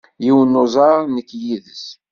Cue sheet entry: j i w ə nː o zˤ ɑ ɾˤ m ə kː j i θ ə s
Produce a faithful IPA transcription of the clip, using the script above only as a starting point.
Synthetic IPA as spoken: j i w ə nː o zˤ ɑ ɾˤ n ə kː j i ð ə s